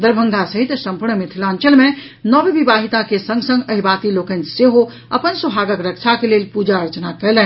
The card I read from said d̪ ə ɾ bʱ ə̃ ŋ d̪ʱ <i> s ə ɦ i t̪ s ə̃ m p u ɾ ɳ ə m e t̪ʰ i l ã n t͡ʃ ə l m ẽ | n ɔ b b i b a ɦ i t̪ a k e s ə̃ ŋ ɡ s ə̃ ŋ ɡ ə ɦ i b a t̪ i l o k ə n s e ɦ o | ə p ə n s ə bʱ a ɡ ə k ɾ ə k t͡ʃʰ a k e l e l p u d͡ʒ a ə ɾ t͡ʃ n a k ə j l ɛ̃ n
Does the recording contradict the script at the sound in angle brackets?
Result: yes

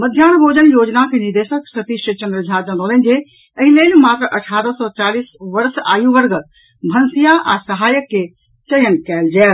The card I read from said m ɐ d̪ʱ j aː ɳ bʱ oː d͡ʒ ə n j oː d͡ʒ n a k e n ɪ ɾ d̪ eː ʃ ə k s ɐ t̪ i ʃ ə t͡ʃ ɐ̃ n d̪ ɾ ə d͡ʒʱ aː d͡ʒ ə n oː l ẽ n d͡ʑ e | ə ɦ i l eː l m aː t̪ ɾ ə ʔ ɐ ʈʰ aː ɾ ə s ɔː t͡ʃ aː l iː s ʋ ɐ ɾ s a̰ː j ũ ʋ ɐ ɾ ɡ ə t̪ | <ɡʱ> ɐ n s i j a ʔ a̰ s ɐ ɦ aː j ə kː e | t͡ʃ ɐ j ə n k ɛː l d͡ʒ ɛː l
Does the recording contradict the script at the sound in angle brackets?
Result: yes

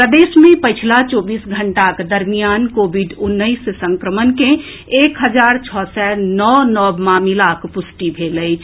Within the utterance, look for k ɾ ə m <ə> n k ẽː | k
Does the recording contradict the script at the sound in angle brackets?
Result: no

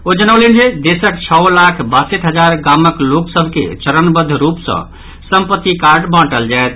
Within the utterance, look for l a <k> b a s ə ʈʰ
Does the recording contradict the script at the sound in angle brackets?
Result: yes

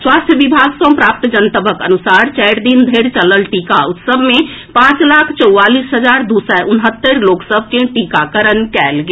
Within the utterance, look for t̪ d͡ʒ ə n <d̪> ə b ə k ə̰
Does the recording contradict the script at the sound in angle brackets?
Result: yes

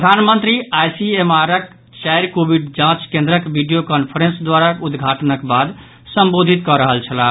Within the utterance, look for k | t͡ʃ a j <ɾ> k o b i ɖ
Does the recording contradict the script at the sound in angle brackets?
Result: no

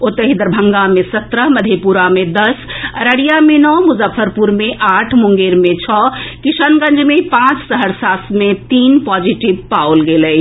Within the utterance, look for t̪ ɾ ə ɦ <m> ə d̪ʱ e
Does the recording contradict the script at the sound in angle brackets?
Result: no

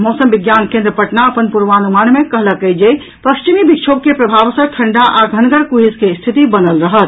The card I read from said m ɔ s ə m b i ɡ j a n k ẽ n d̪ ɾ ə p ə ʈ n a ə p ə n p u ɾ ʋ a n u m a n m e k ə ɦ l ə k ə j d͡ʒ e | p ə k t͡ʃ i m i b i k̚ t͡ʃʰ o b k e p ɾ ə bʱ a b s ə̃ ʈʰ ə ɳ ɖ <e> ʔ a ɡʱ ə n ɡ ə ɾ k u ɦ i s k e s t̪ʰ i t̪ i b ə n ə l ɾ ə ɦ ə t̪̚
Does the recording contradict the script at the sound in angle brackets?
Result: yes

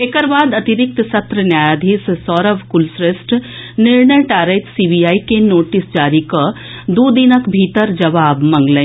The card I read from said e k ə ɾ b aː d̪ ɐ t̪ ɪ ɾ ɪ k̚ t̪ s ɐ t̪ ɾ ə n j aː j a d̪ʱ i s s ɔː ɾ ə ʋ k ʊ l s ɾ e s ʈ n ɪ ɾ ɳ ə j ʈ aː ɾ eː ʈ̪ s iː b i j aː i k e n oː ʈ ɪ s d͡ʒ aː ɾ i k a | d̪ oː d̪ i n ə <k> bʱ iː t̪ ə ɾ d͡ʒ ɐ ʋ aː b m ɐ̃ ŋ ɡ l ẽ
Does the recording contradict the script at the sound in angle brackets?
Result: no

